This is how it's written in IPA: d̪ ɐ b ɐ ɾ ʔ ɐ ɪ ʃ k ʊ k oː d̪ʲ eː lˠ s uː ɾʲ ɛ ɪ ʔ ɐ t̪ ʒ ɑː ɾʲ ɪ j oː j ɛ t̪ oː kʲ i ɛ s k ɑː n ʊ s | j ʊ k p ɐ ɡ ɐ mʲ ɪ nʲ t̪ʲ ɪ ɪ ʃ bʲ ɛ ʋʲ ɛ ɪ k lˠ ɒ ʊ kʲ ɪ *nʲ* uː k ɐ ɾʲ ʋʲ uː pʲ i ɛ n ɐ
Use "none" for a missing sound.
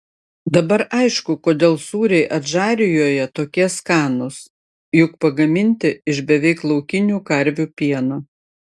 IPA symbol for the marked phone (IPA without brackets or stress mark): nʲ